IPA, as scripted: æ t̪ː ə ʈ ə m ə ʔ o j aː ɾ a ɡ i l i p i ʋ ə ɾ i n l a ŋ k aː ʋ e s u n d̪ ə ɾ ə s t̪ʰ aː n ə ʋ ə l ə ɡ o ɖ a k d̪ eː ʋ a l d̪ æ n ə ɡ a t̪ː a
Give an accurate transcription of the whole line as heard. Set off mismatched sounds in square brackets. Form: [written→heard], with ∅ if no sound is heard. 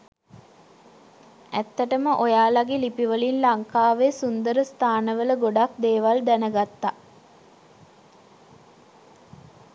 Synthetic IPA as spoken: æ t̪ː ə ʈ ə m ə ʔ o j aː [ɾ→l] a ɡ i l i p i ʋ ə [ɾ→l] i n l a ŋ k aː ʋ e s u n d̪ ə ɾ ə s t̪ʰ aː n ə ʋ ə l ə ɡ o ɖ a k d̪ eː ʋ a l d̪ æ n ə ɡ a t̪ː a